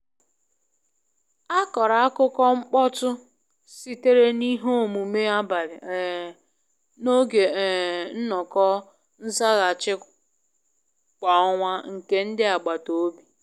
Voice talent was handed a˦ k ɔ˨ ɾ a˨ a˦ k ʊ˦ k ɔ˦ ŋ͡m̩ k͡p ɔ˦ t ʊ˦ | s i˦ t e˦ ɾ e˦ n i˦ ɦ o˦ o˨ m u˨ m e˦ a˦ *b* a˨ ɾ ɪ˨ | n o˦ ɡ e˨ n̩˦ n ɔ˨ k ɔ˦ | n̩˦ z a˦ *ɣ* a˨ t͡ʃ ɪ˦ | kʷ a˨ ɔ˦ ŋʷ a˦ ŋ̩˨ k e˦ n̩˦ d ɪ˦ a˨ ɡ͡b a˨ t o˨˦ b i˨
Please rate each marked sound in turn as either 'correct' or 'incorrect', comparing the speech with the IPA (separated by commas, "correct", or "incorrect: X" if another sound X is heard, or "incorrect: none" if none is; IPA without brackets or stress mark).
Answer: correct, correct